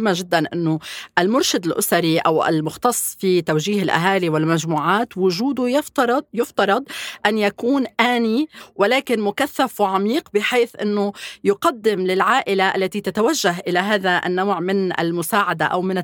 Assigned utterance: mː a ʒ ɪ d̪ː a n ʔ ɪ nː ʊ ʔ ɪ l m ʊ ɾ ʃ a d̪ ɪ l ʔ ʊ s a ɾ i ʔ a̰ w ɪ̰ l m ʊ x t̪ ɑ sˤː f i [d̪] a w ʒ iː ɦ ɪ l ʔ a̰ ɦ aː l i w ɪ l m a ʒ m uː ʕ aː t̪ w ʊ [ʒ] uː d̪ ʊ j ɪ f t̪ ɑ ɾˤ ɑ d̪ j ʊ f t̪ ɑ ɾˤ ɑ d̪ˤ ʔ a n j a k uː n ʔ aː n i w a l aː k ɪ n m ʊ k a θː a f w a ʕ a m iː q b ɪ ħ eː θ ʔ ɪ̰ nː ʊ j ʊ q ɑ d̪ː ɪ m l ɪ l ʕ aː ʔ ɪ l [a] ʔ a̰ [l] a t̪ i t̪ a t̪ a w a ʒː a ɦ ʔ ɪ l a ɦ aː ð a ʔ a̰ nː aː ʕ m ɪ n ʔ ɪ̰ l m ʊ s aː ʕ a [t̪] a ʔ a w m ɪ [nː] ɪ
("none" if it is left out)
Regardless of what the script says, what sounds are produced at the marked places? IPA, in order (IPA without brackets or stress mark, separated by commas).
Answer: t̪, ʒ, a, lː, d̪, n